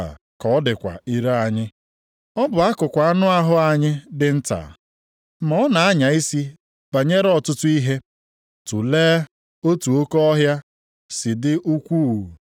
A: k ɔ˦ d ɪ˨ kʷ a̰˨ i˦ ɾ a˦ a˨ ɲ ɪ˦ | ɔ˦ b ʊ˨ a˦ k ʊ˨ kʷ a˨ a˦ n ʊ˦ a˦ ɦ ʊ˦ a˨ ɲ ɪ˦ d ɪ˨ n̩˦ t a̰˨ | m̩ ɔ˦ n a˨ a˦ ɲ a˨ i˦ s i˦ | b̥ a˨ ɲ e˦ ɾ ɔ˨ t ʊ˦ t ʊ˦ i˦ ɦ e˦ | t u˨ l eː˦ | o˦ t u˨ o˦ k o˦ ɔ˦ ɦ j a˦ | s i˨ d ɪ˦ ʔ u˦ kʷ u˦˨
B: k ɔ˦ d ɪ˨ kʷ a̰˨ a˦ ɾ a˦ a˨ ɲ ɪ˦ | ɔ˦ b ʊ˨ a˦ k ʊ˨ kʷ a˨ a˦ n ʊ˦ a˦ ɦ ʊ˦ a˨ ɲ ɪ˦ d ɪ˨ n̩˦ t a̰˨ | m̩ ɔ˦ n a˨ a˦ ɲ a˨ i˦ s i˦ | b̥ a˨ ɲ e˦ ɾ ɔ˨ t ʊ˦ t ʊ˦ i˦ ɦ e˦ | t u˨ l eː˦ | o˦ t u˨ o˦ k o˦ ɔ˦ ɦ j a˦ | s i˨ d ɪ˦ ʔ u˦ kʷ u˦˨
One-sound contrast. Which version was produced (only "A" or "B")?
A